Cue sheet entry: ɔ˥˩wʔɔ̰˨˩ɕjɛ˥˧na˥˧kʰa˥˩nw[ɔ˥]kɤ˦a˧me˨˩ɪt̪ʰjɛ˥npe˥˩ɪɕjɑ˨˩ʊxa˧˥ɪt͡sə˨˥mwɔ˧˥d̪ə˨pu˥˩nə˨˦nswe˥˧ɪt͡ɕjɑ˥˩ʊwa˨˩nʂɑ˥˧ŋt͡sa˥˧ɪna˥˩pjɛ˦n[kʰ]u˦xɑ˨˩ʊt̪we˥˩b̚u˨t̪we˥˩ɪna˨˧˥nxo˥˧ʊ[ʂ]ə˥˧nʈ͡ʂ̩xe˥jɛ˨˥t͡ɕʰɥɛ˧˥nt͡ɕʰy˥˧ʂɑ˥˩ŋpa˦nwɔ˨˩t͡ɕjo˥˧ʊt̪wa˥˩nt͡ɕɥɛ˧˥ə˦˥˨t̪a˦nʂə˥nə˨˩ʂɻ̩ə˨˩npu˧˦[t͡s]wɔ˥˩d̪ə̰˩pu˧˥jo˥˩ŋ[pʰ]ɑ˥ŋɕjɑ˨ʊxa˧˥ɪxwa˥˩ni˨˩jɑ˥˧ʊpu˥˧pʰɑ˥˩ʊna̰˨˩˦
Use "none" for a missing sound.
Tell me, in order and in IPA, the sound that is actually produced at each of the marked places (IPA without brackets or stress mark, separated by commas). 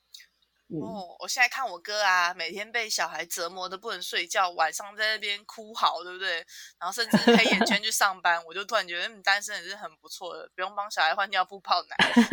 ɔ˨˩, kʰ, ʂ, t͡sʰ, p